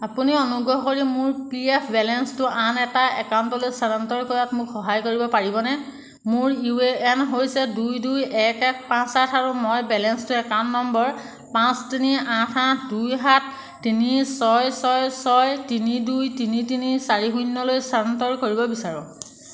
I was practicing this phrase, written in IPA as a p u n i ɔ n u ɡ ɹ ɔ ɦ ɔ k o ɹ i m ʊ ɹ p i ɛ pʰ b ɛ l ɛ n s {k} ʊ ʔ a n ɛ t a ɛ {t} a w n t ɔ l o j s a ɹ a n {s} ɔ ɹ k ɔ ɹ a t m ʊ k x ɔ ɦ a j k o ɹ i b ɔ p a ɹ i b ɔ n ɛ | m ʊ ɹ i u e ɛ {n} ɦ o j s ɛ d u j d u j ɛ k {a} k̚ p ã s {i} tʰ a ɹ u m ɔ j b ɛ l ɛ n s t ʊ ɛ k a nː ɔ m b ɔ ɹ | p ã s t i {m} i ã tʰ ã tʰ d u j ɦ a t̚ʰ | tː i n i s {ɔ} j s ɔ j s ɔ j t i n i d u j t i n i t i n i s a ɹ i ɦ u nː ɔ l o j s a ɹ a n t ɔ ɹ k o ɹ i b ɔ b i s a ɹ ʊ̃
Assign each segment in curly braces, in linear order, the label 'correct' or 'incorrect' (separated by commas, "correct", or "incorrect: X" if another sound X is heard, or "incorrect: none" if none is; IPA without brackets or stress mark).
incorrect: t, incorrect: k, incorrect: t, correct, incorrect: ɛ, incorrect: a, incorrect: n, correct